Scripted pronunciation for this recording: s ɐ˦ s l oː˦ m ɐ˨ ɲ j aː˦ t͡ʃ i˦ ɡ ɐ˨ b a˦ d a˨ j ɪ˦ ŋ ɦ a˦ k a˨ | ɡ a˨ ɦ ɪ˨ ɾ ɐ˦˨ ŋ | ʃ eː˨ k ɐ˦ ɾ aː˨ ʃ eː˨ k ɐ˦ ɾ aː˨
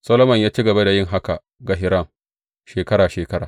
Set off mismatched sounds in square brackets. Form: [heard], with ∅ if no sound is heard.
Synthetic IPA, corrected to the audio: s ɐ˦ [∅] l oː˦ m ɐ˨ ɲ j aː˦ t͡ʃ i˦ ɡ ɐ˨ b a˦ d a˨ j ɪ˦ ŋ ɦ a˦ k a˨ | ɡ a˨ ɦ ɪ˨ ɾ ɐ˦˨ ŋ | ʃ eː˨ k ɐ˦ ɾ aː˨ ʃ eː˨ k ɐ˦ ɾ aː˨